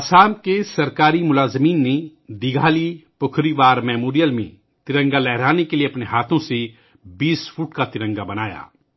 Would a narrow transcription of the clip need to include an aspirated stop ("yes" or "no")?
yes